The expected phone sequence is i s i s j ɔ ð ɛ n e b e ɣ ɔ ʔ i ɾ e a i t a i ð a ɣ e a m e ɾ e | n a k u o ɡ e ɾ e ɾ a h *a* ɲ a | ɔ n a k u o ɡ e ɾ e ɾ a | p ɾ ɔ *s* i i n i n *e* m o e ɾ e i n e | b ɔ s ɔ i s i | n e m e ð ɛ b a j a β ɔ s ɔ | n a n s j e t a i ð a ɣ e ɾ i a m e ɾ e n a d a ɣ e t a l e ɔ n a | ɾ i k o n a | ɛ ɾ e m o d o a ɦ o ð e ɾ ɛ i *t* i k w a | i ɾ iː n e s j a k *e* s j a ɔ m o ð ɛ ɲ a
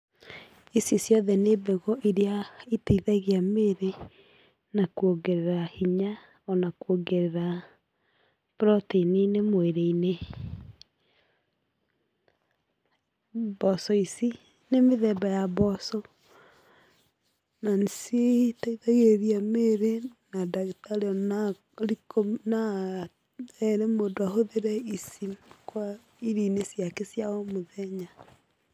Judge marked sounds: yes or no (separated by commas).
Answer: no, no, yes, no, yes